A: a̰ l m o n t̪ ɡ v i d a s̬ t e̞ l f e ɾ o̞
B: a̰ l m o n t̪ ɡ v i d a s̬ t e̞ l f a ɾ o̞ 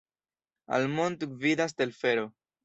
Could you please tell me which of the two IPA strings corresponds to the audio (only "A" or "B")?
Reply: A